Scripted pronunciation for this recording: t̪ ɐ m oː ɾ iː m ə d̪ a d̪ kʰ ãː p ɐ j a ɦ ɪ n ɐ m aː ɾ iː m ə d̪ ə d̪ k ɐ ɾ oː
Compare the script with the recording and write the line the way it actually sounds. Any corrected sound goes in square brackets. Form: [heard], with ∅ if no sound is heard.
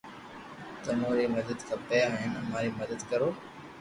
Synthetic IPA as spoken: t̪ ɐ m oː ɾ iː m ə d̪ [ə] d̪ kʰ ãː p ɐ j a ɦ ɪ n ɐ m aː ɾ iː m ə d̪ ə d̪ k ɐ ɾ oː